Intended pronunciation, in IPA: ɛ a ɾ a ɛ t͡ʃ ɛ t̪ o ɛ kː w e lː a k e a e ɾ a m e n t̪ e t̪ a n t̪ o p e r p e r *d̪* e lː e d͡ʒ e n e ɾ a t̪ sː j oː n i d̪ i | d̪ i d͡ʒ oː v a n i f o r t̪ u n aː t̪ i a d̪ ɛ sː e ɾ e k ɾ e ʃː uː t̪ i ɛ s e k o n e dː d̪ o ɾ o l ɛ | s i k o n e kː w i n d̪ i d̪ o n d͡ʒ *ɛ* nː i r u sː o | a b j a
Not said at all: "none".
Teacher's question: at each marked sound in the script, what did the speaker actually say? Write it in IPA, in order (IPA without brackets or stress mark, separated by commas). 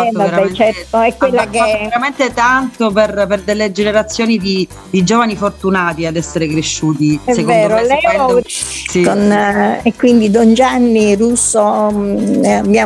d̪, a